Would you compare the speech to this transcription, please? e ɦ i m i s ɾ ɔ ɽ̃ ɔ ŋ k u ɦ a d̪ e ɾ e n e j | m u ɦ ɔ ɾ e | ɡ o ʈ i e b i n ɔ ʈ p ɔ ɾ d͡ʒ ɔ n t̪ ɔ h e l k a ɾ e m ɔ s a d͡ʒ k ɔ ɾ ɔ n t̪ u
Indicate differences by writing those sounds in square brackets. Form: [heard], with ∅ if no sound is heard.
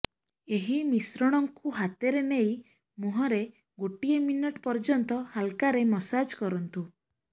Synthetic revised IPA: e ɦ i m i s ɾ ɔ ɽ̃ ɔ ŋ k u ɦ a [t̪] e ɾ e n e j | m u ɦ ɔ ɾ e | ɡ o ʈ i e [m] i n ɔ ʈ p ɔ ɾ d͡ʒ ɔ n t̪ ɔ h [a] l k a ɾ e m ɔ s a d͡ʒ k ɔ ɾ ɔ n t̪ u